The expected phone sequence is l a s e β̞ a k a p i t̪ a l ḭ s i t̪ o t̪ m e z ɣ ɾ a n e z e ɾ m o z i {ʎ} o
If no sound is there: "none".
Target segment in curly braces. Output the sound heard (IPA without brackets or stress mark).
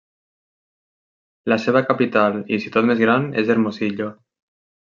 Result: ʎ